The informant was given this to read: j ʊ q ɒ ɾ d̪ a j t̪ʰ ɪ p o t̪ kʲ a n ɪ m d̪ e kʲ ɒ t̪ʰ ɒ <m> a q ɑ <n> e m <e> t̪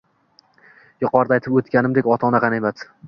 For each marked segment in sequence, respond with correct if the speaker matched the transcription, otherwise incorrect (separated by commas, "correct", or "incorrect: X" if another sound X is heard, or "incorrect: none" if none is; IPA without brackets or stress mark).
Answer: incorrect: n, correct, incorrect: a